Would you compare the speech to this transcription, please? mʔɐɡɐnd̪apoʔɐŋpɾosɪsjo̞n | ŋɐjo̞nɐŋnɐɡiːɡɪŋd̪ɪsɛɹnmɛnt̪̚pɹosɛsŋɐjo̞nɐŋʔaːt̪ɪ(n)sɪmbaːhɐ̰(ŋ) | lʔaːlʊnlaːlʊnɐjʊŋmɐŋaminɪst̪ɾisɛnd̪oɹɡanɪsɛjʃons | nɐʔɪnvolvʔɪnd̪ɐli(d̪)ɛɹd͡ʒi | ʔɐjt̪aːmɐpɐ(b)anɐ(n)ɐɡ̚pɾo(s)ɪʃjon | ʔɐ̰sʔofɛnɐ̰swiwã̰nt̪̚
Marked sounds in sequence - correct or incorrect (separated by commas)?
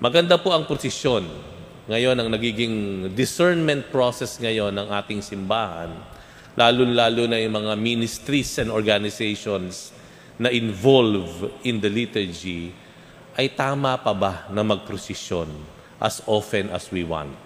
incorrect, incorrect, incorrect, correct, incorrect, correct